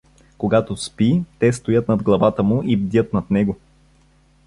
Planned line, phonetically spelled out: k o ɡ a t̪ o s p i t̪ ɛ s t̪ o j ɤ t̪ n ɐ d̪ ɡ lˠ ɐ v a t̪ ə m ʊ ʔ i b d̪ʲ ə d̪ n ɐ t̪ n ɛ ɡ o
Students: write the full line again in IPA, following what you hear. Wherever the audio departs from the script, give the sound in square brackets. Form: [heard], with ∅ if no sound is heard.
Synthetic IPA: k o ɡ a t̪ o s p i t̪ ɛ s t̪ o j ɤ t̪ n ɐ d̪ ɡ lˠ ɐ v a t̪ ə m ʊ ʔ i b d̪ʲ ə [t̪] n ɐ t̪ n ɛ ɡ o